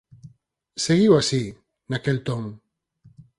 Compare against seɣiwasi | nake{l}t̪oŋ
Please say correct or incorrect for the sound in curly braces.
correct